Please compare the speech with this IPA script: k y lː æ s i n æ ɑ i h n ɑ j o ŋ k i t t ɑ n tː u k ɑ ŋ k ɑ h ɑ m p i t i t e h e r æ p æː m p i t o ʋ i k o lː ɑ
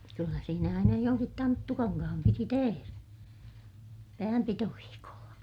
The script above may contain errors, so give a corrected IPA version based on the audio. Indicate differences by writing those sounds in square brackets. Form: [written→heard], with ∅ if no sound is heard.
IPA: k y lː æ s [i→iː] n æ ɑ i [h→∅] n ɑ j o ŋ k i t t ɑ n tː u k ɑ ŋ k ɑ h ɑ m p i t i t e h e r æ p æː m p i t o ʋ [i→iː] k o lː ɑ

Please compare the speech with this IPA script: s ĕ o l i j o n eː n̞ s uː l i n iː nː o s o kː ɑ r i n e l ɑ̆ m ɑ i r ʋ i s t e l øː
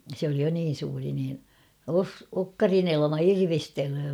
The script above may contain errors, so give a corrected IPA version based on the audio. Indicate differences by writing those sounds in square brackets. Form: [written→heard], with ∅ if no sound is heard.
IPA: s ĕ o l i j o n [eː→iː] n̞ s uː [l→r] i n iː [nː→n] o s o kː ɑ r i n e l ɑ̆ m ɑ i r ʋ i s t e l øː

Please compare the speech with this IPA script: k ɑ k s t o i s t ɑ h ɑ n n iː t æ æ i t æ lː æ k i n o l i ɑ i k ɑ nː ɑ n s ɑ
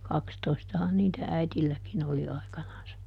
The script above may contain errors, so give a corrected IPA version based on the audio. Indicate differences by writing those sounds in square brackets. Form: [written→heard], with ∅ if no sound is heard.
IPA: k ɑ k s t o i s t ɑ h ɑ n n iː t æ æ i t [æ→i] lː æ k i n o l i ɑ i k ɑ [nː→n] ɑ n s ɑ

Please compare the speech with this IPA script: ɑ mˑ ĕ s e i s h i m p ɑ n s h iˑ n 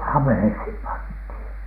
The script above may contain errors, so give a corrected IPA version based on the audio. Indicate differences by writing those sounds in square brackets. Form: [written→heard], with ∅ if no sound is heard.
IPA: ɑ mˑ ĕ [s→h] e i s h i m p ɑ n [s→t] h iˑ n

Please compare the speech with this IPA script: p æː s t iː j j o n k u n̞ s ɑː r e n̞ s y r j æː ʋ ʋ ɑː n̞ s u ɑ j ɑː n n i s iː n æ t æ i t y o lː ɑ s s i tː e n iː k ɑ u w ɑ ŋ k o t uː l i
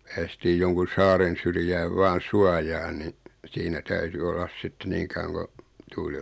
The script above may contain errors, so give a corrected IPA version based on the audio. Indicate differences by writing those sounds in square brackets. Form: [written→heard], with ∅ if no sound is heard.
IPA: p æː s t iː j j o [n→ŋ] k u n̞ s ɑː r e n̞ s y r j æː ʋ ʋ ɑː n̞ s u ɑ j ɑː n n i s iː n æ t æ [i→y] t y o lː ɑ s s i tː e n iː k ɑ u w ɑ ŋ k o t uː l i

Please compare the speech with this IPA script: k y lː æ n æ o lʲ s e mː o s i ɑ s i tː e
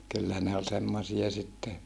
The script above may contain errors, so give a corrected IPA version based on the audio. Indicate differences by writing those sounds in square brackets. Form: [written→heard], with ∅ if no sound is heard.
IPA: k y lː æ n [æ→e] o lʲ s e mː o s i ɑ s i tː e

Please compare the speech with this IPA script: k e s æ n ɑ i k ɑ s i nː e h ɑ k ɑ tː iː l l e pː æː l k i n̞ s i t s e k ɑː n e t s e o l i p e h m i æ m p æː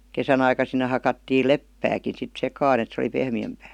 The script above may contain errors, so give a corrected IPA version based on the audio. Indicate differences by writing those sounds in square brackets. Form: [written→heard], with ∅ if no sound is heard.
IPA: k e s æ n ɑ i k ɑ s i nː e h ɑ k ɑ tː iː l l e pː æː [l→∅] k i n̞ s i t s e k ɑː n e t s e o l i p e h m i æ m p æː

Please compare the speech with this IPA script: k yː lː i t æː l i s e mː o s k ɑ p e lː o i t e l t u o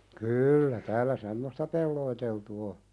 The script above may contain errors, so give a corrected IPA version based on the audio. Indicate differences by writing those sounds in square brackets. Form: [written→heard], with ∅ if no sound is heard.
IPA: k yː lː [i→æ] t æː l [i→æ] s e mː o s [k→t] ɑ p e lː o i t e l t u o

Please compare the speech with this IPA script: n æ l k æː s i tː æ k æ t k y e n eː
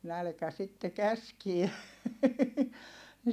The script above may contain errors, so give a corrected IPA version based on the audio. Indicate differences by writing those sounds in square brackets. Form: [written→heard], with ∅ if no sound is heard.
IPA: n æ l k [æː→æ] s i tː [æ→e] k æ [t→s] k [y→i] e n [eː→e]

